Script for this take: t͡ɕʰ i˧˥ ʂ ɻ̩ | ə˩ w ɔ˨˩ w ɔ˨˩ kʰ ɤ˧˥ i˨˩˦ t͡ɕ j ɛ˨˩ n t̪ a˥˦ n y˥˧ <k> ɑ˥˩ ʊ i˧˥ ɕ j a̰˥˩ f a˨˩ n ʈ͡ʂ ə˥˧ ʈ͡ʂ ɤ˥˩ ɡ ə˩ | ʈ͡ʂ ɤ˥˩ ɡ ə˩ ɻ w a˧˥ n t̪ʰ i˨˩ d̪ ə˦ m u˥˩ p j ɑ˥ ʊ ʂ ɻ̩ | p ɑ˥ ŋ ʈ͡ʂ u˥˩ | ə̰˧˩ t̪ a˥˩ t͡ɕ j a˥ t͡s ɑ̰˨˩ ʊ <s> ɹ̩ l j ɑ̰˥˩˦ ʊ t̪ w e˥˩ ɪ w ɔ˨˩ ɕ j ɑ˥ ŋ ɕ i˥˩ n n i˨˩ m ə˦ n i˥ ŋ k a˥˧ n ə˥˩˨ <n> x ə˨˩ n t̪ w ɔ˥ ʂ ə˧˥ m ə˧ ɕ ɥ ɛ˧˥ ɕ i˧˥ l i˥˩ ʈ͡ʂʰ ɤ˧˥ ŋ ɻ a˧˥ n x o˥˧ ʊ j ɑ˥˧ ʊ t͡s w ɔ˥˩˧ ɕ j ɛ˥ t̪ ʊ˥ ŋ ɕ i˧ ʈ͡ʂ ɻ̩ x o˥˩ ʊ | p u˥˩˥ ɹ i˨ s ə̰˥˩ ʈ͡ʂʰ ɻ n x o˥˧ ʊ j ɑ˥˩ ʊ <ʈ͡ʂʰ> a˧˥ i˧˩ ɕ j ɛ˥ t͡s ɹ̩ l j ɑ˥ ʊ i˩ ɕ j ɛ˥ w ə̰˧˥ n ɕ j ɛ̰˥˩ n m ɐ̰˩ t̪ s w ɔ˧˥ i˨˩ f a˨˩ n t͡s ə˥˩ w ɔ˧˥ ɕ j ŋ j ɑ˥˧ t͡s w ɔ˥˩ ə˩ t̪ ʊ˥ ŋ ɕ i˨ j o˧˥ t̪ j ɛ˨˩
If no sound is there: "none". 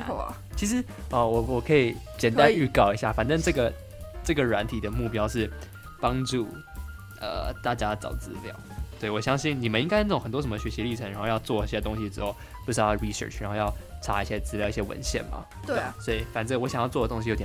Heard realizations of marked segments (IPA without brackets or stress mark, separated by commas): k, t͡s, ŋ, ʈ͡ʂʰ